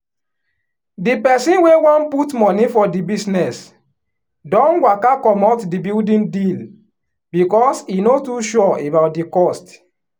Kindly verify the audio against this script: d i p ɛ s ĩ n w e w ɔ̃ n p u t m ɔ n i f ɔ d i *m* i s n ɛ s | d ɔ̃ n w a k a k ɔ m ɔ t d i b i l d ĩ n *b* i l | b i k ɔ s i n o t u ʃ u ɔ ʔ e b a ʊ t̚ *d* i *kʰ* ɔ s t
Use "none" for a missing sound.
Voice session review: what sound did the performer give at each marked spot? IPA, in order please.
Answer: b, d, d, k

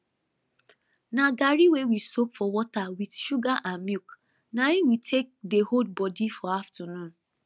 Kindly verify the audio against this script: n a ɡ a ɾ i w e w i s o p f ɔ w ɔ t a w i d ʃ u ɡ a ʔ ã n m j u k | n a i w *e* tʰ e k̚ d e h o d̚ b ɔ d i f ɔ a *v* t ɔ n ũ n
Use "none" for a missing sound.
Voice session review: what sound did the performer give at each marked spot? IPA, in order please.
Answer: i, f

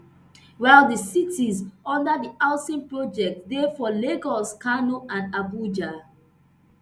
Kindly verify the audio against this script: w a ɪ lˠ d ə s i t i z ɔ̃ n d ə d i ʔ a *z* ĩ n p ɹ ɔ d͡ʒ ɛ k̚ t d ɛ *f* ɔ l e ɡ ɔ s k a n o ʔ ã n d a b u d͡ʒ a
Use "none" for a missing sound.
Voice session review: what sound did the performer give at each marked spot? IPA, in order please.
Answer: s, f

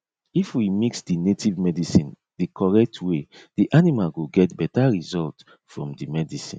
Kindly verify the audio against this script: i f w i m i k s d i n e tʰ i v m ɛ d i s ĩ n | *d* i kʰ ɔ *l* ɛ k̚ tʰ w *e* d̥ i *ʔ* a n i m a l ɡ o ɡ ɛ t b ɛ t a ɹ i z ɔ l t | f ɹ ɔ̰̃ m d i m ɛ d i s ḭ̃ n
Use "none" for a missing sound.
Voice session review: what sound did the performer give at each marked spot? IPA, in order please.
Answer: d, ɹ, e, ʔ

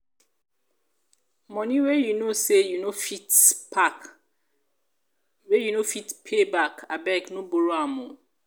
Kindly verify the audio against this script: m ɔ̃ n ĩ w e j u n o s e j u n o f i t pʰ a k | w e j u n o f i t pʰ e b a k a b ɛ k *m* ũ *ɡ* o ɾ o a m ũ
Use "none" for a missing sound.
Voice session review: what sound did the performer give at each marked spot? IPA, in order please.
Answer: n, b

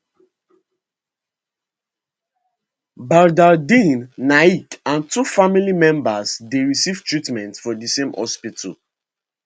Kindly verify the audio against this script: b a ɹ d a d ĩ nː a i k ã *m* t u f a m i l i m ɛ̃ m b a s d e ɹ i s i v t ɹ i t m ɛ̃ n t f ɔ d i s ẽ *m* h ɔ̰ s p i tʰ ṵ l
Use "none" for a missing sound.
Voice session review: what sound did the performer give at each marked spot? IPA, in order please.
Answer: n, m

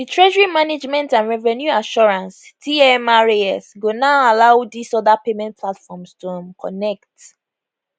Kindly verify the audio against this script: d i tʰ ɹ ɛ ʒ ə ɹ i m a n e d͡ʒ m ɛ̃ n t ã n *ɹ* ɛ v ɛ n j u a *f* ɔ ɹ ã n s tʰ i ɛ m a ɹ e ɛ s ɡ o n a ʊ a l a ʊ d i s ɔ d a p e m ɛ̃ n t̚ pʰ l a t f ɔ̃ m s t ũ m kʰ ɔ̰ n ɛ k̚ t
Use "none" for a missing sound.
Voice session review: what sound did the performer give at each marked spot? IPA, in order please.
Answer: ɹ, ʃ

